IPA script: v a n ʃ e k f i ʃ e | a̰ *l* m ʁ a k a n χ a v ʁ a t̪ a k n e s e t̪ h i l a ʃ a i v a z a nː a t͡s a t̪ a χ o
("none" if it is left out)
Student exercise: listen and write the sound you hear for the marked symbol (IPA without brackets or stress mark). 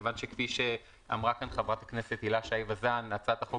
none